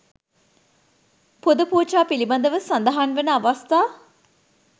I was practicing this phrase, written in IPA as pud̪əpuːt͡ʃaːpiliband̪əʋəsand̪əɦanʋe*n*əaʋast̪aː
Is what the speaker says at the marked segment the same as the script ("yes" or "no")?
yes